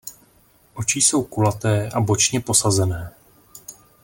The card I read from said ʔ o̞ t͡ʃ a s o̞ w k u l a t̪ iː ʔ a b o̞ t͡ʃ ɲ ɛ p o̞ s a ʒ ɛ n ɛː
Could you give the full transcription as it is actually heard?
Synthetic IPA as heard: ʔ o̞ t͡ʃ i s o̞ w k u l a t̪ ɛː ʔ a b o̞ t͡ʃ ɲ ɛ p o̞ s a z ɛ n ɛː